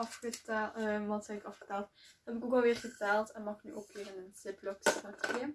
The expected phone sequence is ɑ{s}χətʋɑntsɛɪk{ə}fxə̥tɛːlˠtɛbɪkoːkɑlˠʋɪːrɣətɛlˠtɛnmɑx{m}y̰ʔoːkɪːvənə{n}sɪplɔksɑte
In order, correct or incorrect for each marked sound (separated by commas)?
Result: incorrect, incorrect, incorrect, correct